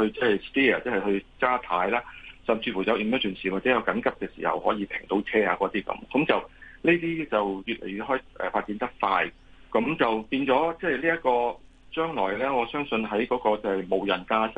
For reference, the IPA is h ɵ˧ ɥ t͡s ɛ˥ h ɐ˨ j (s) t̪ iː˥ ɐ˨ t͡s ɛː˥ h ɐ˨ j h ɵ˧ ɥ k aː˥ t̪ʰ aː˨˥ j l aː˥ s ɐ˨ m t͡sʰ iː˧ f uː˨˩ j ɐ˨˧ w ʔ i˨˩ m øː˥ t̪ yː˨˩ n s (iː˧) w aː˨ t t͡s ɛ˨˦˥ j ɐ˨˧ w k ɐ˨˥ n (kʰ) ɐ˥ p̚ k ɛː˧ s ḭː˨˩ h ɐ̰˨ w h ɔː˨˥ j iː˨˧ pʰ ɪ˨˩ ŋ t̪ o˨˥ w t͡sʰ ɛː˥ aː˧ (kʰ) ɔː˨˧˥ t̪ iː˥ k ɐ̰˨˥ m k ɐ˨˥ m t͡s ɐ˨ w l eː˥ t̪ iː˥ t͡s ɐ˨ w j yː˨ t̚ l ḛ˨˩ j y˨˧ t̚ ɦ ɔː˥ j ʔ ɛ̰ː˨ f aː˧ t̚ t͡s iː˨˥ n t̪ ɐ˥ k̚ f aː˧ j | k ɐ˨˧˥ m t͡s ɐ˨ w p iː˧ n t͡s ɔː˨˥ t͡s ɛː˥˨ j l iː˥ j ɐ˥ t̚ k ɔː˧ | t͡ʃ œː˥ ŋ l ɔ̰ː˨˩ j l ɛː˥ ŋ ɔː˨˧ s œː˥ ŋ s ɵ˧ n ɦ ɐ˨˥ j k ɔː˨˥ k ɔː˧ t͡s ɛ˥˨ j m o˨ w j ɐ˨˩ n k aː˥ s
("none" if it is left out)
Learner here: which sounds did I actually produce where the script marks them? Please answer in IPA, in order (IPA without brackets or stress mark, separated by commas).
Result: s, iː˨˩, k, k